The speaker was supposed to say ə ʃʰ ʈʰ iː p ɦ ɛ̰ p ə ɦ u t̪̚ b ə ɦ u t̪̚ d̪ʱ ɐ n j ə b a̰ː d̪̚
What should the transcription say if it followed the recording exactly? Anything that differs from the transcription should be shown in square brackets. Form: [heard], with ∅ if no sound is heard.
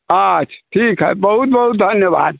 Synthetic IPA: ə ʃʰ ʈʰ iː [k] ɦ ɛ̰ [b] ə ɦ u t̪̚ b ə ɦ u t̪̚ d̪ʱ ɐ n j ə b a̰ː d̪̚